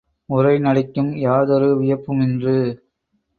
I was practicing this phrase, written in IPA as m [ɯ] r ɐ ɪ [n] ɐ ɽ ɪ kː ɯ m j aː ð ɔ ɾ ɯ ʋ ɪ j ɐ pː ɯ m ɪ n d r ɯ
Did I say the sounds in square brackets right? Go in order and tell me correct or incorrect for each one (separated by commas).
incorrect, correct